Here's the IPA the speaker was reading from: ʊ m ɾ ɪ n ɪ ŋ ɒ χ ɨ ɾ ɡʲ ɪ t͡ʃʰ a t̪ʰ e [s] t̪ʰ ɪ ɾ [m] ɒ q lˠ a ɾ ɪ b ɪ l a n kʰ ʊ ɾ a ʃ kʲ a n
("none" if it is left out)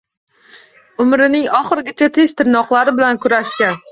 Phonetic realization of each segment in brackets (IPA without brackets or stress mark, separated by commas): ʃ, n